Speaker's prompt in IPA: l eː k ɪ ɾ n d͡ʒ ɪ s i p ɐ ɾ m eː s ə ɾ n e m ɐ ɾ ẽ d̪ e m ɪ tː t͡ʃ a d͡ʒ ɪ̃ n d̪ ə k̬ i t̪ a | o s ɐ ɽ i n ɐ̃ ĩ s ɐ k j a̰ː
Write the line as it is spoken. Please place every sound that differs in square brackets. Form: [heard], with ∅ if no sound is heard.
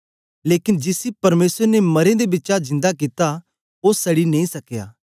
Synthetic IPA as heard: l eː k ɪ [∅] n d͡ʒ ɪ s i p ɐ ɾ m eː s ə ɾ n e m ɐ ɾ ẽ d̪ e [b] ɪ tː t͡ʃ a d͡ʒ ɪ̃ n d̪ [a] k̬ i t̪ a | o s ɐ ɽ i n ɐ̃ ĩ s ɐ k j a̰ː